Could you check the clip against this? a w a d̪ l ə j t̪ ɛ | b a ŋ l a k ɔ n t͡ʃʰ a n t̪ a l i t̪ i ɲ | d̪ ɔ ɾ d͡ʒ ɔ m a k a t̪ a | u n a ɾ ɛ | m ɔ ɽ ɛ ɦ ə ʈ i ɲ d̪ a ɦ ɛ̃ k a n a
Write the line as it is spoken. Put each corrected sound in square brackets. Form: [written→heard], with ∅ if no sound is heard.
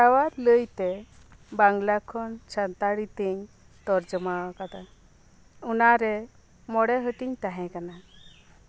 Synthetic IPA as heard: a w a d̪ l ə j t̪ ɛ | b a ŋ l a [k→kʰ] ɔ n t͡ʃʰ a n t̪ a [l→ɽ] i t̪ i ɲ | [d̪→t̪] ɔ ɾ d͡ʒ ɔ m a k a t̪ a | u n a ɾ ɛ | m ɔ ɽ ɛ ɦ ə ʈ i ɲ [d̪→t̪] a ɦ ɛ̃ k a n a